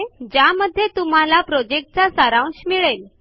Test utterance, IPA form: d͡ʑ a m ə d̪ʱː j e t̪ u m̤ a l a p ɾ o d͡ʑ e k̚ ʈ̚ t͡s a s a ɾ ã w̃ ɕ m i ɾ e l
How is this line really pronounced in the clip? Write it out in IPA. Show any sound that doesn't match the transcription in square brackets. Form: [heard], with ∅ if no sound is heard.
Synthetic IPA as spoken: d͡ʑ a m ə d̪ʱː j e t̪ u m̤ a l a p ɾ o d͡ʑ e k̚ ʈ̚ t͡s a s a ɾ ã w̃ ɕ m i [ɭ] e l